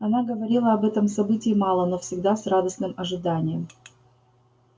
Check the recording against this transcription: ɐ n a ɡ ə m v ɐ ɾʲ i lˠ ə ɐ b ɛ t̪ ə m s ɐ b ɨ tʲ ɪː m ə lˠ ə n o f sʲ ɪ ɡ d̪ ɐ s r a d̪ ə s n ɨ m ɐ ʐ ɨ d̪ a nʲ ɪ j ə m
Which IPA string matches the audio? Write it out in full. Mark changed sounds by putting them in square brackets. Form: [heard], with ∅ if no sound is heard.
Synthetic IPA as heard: ɐ n a ɡ ə [∅] v ɐ ɾʲ i lˠ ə ɐ b ɛ t̪ ə m s ɐ b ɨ tʲ ɪː m [ɑ] lˠ ə n o f sʲ ɪ ɡ d̪ [a] s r a d̪ ə s n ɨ m ɐ ʐ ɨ d̪ a nʲ ɪ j ə m